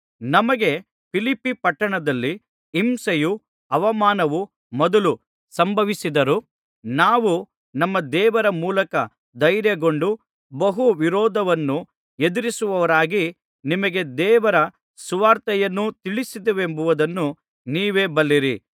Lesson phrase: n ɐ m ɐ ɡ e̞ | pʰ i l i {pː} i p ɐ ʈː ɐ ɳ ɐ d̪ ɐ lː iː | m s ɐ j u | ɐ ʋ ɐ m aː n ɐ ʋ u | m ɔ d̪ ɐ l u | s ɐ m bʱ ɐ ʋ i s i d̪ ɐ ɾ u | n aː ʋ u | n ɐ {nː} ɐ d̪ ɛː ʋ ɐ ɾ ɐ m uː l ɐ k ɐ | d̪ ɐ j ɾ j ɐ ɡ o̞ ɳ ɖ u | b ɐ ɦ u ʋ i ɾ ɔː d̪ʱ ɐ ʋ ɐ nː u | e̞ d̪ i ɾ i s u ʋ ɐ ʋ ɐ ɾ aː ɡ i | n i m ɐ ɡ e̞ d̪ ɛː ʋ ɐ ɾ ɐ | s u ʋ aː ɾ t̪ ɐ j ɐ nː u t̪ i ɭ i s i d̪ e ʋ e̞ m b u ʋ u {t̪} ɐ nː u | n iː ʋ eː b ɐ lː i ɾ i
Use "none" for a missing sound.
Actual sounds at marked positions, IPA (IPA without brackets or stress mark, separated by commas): pː, mː, d̪